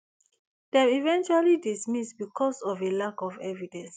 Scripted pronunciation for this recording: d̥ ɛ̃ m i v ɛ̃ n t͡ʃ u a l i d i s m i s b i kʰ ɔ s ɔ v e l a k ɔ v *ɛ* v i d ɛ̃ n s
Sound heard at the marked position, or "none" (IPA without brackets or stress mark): ɛ